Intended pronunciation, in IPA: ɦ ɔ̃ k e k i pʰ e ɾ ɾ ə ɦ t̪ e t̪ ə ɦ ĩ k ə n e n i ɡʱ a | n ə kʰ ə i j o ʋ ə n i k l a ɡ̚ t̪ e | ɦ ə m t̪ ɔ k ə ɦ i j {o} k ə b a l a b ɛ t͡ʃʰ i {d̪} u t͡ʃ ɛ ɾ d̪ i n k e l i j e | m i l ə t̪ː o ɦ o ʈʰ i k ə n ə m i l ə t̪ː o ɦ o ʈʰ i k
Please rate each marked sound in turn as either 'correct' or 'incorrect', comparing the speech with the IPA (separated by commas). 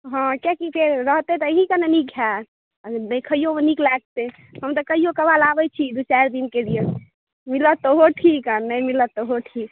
correct, correct